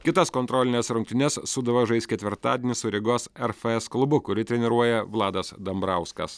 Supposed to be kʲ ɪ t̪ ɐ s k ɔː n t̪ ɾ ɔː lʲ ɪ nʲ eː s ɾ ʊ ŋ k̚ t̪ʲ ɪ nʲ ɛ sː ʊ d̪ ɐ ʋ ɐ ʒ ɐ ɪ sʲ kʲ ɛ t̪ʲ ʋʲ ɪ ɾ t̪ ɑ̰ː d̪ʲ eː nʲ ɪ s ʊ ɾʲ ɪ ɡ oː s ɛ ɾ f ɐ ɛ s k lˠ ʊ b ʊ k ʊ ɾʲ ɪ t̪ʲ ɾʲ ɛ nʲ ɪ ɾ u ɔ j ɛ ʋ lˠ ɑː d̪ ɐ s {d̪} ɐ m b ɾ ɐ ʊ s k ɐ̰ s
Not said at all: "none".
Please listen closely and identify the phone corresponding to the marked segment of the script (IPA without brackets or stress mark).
d̪